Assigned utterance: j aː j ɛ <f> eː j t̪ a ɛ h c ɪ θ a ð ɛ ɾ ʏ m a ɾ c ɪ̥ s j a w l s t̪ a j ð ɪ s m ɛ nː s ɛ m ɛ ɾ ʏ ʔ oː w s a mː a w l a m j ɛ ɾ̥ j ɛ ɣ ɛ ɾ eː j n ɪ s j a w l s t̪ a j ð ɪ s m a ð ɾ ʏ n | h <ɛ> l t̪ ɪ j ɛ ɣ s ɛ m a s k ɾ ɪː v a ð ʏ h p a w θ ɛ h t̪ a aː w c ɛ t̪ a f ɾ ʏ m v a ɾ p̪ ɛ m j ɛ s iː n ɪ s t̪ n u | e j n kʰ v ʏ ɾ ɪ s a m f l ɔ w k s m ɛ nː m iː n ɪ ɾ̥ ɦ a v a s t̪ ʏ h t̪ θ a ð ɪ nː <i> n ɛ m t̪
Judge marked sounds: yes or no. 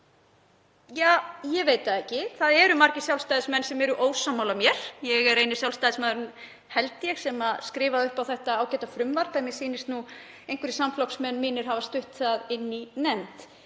no, yes, yes

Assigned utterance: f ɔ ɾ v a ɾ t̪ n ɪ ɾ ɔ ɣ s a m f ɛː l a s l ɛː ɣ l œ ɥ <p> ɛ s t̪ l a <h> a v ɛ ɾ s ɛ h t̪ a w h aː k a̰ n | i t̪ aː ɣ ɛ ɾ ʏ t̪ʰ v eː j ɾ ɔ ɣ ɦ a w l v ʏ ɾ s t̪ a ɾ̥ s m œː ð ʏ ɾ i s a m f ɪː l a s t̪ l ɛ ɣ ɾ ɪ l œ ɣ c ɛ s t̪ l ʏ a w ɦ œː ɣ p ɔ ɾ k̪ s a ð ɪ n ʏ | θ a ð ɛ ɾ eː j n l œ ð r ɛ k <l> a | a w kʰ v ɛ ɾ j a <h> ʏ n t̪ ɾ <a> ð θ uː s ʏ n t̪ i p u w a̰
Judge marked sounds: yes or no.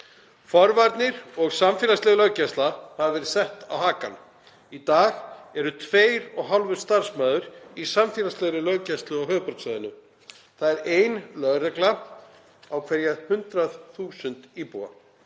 no, yes, yes, yes, yes

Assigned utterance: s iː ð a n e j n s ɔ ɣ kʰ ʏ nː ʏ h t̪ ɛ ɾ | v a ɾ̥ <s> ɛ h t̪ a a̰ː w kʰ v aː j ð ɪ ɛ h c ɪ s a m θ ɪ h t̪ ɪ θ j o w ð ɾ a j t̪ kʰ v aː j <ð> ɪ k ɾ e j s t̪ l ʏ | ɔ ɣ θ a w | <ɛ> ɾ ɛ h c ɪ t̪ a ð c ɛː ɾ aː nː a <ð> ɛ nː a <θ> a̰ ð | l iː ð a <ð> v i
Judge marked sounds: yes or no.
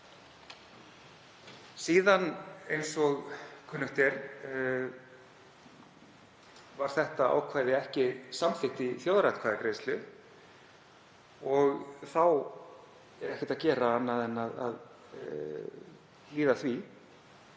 no, yes, yes, yes, no, no

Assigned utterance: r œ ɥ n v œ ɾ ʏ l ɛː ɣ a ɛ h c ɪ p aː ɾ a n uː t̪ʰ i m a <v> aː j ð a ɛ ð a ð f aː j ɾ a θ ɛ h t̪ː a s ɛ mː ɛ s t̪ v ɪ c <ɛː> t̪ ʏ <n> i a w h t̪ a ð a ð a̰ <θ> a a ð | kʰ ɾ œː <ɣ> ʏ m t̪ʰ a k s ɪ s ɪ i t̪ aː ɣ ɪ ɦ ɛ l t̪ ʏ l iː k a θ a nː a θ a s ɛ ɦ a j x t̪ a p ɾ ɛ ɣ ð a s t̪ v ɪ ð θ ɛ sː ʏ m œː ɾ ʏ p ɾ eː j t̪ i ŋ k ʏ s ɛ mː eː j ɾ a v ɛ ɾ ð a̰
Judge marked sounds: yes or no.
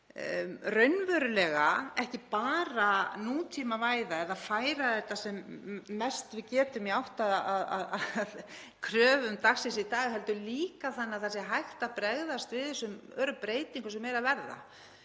yes, yes, no, no, no

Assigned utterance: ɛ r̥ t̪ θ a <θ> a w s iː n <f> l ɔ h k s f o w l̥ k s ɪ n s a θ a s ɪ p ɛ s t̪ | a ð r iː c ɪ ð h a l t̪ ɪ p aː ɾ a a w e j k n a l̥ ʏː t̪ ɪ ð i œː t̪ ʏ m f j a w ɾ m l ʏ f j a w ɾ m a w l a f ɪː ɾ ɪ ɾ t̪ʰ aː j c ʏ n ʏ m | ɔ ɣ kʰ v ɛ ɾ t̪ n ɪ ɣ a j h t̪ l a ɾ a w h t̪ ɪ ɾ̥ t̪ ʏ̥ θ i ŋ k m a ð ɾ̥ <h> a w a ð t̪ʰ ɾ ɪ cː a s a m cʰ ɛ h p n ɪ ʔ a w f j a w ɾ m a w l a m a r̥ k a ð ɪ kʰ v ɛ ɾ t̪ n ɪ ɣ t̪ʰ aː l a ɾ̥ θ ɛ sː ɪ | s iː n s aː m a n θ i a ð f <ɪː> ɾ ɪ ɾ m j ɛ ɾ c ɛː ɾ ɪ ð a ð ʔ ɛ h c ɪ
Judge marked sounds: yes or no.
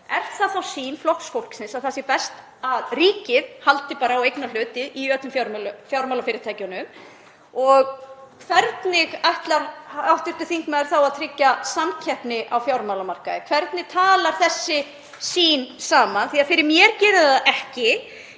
yes, yes, no, no

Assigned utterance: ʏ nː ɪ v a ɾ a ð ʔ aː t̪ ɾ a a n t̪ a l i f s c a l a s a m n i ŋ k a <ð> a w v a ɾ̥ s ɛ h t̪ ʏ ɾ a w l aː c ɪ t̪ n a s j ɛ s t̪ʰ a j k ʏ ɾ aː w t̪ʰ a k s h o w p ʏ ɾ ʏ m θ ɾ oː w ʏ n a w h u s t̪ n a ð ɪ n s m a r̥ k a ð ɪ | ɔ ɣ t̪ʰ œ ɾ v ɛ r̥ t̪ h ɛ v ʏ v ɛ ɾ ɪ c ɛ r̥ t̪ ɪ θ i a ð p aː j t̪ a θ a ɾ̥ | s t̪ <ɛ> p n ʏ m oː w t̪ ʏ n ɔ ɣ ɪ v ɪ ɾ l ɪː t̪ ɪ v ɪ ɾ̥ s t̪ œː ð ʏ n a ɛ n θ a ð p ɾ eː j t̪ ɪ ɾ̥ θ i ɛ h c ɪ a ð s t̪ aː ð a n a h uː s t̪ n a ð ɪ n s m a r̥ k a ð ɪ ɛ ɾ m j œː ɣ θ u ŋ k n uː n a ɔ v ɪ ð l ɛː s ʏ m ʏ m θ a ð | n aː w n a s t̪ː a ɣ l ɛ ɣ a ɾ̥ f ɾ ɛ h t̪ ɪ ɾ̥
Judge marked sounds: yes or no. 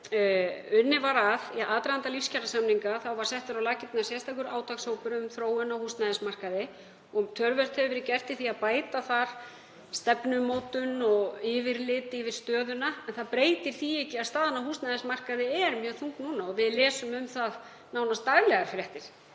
no, yes

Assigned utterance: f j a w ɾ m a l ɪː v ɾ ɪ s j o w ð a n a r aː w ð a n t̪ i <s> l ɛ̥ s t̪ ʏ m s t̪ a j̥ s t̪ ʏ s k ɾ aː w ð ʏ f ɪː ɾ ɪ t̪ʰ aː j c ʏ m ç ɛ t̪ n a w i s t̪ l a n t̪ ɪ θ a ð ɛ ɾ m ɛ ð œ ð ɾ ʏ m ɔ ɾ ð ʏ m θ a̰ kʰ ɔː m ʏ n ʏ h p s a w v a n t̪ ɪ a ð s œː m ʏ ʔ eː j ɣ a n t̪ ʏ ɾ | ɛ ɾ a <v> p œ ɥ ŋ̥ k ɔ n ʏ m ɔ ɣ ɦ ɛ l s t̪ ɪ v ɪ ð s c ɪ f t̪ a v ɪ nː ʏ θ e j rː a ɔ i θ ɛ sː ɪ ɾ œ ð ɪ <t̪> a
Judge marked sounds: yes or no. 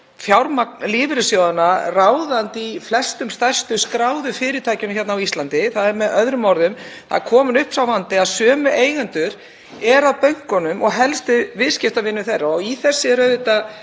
no, no, yes

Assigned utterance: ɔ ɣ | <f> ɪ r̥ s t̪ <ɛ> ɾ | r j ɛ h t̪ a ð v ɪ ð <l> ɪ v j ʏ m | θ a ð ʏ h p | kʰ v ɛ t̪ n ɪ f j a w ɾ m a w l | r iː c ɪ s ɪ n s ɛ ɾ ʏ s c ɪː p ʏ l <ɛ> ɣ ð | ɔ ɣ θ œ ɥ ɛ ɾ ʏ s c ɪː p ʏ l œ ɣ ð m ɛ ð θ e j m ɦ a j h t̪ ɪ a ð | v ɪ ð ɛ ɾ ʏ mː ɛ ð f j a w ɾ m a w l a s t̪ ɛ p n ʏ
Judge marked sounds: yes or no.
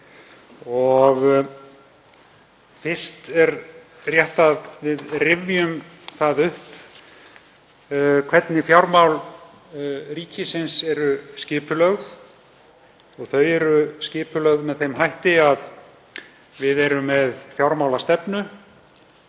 yes, yes, no, no

